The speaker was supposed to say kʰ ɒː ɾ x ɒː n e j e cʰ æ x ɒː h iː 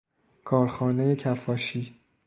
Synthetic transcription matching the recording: kʰ ɒː ɾ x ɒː n e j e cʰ æ f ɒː ʃ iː

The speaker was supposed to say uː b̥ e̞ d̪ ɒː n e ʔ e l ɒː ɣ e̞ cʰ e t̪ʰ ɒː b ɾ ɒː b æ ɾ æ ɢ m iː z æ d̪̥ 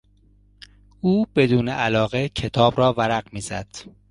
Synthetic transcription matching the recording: uː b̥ e̞ d̪ uː n e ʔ æ l ɒː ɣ e̞ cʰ e t̪ʰ ɒː b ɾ ɒː v æ ɾ æ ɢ m iː z æ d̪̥

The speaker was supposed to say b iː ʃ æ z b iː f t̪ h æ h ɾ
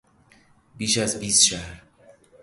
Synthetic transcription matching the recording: b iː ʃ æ z b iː s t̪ ʃ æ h ɾ

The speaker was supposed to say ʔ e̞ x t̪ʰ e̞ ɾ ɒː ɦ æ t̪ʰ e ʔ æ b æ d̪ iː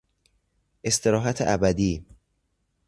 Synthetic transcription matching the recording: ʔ e̞ s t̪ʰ e̞ ɾ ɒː ɦ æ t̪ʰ e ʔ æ b æ d̪ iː

